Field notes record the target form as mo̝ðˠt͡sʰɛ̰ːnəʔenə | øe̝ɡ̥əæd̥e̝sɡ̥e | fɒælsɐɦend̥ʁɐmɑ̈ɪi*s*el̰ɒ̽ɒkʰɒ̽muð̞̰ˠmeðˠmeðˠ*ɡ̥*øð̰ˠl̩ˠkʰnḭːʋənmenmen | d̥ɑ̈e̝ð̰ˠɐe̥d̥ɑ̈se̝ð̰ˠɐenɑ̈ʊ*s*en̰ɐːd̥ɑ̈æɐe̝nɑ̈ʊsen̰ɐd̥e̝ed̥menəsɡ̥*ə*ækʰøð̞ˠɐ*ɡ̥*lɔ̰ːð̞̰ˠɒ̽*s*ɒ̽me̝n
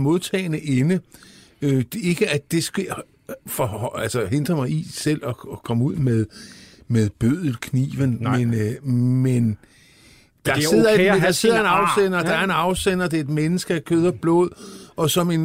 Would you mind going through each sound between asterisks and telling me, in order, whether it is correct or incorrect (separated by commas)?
correct, incorrect, correct, correct, incorrect, correct